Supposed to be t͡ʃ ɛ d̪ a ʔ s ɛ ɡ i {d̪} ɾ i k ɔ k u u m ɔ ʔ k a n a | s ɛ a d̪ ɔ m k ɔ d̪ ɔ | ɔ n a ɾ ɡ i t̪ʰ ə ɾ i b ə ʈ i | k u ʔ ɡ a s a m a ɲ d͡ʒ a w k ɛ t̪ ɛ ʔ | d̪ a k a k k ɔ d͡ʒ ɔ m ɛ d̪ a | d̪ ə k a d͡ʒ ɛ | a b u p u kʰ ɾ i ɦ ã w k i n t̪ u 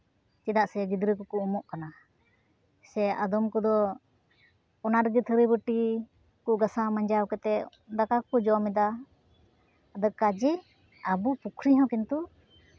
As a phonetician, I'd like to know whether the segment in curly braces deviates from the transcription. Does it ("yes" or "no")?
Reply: no